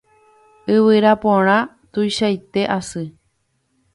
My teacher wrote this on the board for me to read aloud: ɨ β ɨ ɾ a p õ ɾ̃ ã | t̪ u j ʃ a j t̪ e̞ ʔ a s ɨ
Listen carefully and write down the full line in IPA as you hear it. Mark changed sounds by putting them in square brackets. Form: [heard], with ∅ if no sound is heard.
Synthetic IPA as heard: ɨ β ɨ ɾ a p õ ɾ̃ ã | t̪ u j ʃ a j t̪ e̞ ʔ a s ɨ